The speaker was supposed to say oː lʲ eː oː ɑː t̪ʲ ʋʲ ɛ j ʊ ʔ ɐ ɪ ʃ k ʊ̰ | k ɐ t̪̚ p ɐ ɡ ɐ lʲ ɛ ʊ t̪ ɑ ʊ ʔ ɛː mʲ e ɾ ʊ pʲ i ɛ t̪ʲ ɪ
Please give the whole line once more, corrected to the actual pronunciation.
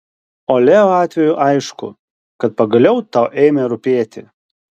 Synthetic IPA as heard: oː lʲ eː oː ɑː t̪ʲ ʋʲ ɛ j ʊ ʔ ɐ ɪ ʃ k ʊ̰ | k ɐ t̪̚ p ɐ ɡ ɐ lʲ ɛ ʊ t̪ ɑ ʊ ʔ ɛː mʲ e ɾ ʊ pʲ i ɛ t̪ʲ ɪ

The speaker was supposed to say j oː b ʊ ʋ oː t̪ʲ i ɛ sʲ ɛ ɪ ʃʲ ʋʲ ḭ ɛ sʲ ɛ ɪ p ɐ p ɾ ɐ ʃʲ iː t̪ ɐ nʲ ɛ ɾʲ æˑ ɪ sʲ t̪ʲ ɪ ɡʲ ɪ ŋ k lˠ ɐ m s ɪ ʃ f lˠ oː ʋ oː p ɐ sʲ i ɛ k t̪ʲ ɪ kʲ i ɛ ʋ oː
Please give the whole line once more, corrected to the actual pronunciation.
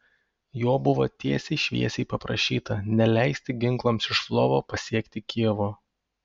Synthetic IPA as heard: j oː b ʊ ʋ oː t̪ʲ i ɛ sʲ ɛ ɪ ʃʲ ʋʲ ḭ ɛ sʲ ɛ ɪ p ɐ p ɾ ɐ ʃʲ iː t̪ ɐ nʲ ɛ lʲ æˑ ɪ sʲ t̪ʲ ɪ ɡʲ ɪ ŋ k lˠ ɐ m s ɪ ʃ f lˠ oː ʋ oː p ɐ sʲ i ɛ k t̪ʲ ɪ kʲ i ɛ ʋ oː

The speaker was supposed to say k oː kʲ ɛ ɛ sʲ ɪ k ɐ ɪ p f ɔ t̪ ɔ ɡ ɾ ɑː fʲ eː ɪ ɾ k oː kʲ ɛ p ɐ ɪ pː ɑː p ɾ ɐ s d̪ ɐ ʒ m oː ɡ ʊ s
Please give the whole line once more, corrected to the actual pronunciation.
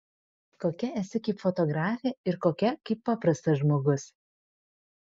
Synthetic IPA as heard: k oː kʲ ɛ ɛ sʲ ɪ k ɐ ɪ p f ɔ t̪ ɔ ɡ ɾ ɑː fʲ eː ɪ ɾ k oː kʲ ɛ k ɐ ɪ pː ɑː p ɾ ɐ s t̪ ɐ ʒ m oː ɡ ʊ s

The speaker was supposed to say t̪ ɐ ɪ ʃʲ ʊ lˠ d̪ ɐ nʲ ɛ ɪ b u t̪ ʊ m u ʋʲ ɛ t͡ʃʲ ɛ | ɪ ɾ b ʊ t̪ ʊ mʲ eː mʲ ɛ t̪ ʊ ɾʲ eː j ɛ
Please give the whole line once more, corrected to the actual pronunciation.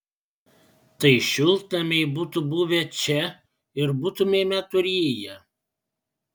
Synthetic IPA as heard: t̪ ɐ ɪ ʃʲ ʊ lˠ t̪ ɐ mʲ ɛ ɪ b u t̪ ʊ b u ʋʲ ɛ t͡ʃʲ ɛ | ɪ ɾ b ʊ t̪ ʊ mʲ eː mʲ ɛ t̪ ʊ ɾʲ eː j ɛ

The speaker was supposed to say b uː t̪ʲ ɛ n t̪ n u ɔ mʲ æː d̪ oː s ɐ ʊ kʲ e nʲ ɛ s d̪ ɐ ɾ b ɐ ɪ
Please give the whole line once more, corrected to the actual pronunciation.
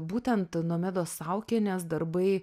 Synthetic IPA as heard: b uː t̪ʲ ɛ n t̪ n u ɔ mʲ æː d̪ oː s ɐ ʊ kʲ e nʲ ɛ s d̪ ɐ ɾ b ɐ ɪ

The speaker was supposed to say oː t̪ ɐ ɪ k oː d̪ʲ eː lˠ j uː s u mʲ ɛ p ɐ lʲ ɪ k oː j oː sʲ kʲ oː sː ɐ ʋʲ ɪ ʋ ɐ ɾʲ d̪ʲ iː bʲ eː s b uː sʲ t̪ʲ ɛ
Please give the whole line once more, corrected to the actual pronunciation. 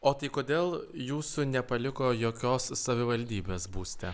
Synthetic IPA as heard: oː t̪ ɐ ɪ k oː d̪ʲ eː lˠ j uː s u nʲ ɛ p ɐ lʲ ɪ k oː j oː kʲ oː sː ɐ ʋʲ ɪ ʋ ɐ lʲ d̪ʲ iː bʲ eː s b uː sʲ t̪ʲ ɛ

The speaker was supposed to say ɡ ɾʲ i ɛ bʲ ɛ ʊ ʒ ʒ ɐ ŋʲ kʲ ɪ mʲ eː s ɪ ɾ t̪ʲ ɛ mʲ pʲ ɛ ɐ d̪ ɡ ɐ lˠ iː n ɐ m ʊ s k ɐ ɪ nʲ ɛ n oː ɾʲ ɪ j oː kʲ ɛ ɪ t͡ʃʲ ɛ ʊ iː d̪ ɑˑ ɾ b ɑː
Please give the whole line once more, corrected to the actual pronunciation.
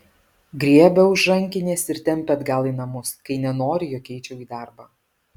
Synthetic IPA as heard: ɡ ɾʲ i ɛ bʲ ɛ ʊ ʒ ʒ ɐ ŋʲ kʲ ɪ nʲ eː s ɪ ɾ t̪ʲ ɛ mʲ pʲ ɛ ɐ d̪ ɡ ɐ lˠ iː n ɐ m ʊ s k ɐ ɪ nʲ ɛ n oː ɾʲ ɪ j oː kʲ ɛ ɪ t͡ʃʲ ɛ ʊ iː d̪ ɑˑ ɾ b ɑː

